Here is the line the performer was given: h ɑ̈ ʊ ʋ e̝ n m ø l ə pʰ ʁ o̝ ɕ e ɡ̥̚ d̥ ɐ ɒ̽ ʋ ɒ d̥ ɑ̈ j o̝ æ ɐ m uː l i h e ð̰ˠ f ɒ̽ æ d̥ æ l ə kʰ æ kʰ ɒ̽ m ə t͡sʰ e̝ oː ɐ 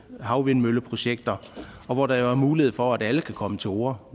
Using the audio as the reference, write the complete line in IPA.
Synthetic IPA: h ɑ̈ ʊ ʋ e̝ n m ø l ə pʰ ʁ o̝ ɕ e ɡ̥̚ d̥ ɐ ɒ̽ ʋ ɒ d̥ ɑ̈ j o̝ æ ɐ m uː l i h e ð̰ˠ f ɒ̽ æ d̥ æ l ə kʰ æ kʰ ɒ̽ m ə t͡sʰ e̝ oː ɐ